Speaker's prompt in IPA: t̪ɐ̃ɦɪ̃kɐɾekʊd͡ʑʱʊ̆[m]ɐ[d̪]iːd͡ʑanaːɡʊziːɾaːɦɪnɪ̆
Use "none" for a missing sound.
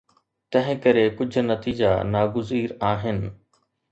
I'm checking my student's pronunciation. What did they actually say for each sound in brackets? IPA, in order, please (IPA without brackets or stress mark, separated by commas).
n, t̪